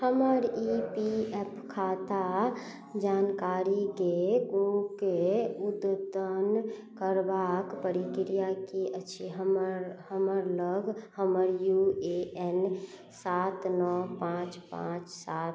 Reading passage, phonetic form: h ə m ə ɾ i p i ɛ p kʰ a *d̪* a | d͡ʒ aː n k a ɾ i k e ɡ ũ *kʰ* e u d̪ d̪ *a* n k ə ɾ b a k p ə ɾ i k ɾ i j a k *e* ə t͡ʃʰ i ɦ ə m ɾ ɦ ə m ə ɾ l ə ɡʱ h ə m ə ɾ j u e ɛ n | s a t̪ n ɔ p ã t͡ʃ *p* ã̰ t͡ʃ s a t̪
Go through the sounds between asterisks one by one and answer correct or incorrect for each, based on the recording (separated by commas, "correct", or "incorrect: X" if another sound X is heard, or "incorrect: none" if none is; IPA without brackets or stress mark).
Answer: incorrect: t̪, incorrect: k, incorrect: ə, incorrect: i, correct